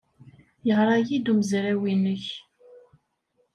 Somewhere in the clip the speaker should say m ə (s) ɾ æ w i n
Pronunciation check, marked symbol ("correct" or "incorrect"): incorrect